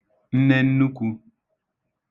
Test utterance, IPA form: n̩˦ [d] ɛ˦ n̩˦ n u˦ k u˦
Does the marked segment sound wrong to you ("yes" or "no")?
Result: yes